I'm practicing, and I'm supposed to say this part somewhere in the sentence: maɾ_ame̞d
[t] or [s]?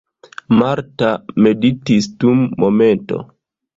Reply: t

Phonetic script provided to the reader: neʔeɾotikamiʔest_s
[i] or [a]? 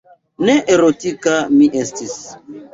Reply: i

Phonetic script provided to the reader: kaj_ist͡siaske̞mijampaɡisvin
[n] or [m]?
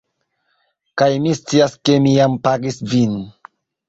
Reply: m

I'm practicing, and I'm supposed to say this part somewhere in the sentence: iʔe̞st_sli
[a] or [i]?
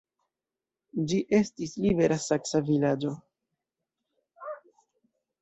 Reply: i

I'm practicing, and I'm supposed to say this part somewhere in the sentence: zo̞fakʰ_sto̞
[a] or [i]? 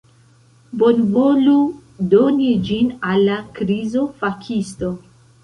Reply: i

